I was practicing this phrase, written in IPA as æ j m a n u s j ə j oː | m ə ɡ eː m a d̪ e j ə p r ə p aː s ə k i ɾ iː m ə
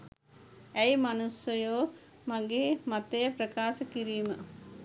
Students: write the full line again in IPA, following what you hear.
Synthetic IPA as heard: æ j m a n u s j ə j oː | m a ɡ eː m a t̪ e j ə p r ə k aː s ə k i ɾ iː m ə